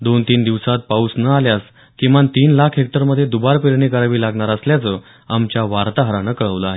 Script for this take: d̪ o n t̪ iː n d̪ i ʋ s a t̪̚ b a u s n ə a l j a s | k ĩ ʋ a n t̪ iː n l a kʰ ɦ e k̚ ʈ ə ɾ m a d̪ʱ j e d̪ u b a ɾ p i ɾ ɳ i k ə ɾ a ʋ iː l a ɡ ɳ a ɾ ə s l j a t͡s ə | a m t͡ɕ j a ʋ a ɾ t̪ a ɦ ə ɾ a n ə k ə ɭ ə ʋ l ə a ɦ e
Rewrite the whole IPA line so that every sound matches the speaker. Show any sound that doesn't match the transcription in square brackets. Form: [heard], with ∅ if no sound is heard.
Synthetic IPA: d̪ o n t̪ iː n d̪ i ʋ s a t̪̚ [p] a u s n ə a l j a s | k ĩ ʋ a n t̪ iː n l a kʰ ɦ e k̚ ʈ ə ɾ m [ə] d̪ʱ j e d̪ u b a ɾ p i ɾ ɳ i k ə ɾ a ʋ iː l a ɡ ɳ a ɾ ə s l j a t͡s ə | a m t͡ɕ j a ʋ a ɾ t̪ a ɦ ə ɾ a n ə k ə ɭ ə ʋ l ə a ɦ e